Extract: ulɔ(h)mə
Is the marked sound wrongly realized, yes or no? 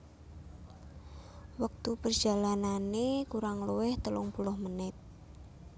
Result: no